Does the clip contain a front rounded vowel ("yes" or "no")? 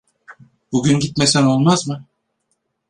yes